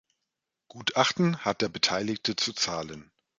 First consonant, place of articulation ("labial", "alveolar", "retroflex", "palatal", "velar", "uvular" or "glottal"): velar